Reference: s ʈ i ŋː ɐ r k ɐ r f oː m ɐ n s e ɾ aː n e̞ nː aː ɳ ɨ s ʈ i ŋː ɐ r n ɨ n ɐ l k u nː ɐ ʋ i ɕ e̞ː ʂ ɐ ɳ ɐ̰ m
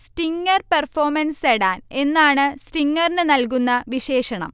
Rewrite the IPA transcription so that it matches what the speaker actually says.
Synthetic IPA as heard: s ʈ i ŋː ɐ r p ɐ r f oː m ɐ n s e ɽ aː n e̞ nː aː ɳ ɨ s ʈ i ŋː ɐ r n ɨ n ɐ l k u nː ɐ ʋ i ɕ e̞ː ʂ ɐ ɳ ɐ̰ m